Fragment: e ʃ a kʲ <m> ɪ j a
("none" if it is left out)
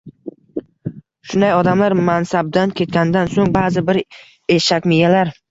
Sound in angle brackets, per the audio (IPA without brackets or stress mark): m